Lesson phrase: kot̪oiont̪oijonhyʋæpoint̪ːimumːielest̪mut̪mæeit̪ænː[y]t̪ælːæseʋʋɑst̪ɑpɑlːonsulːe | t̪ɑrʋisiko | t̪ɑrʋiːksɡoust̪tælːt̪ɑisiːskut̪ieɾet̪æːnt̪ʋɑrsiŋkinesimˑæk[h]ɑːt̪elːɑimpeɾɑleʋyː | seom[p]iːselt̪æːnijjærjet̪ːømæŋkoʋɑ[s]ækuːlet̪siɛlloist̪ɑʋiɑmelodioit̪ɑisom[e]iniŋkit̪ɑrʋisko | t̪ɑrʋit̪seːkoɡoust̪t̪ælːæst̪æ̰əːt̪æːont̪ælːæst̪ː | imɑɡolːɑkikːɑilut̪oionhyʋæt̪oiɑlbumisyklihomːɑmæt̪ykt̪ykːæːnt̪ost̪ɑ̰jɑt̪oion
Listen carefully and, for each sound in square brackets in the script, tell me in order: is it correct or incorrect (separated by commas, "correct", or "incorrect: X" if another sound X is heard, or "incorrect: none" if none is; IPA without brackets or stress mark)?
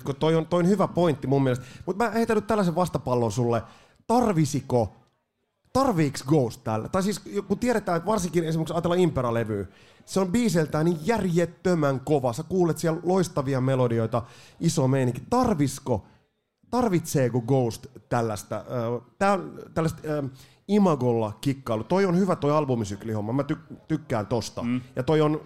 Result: correct, incorrect: s, incorrect: b, correct, correct